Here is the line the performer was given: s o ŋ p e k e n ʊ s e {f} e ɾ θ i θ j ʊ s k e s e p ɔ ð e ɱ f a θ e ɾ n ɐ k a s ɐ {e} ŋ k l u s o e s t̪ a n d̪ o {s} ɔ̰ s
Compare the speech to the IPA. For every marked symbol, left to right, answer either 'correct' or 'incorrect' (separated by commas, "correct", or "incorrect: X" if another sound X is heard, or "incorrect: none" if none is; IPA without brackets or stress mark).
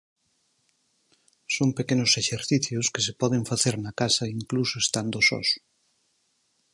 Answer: incorrect: ʃ, incorrect: i, correct